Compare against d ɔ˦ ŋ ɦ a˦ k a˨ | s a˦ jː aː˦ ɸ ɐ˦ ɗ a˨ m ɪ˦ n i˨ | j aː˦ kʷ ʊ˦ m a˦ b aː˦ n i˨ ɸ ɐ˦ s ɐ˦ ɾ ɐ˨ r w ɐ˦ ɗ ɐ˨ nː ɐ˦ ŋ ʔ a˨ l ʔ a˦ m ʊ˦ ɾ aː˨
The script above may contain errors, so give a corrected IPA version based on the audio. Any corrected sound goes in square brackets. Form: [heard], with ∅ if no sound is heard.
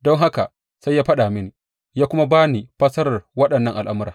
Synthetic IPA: d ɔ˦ ŋ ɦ a˦ k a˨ | s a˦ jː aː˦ ɸ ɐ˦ ɗ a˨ m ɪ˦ n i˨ | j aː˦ kʷ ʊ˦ m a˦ b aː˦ n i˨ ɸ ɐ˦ s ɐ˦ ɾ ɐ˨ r w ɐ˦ ɗ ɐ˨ nː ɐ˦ ŋ ʔ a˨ l ʔ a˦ m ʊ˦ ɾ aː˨